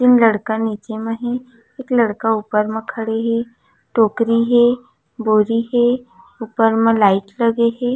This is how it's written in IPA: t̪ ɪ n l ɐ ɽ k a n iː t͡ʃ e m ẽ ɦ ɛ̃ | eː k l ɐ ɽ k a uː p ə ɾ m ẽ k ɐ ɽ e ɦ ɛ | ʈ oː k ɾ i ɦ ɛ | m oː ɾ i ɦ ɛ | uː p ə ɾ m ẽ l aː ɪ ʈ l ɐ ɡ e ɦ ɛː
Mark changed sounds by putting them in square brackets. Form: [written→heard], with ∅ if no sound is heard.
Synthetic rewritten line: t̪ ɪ n l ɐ ɽ k a n iː t͡ʃ e m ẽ ɦ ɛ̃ | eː k l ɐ ɽ k a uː p ə ɾ m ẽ [k→kʰ] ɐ ɽ e ɦ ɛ | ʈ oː k ɾ i ɦ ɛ | [m→b] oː ɾ i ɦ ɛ | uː p ə ɾ m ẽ l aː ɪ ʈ l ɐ ɡ e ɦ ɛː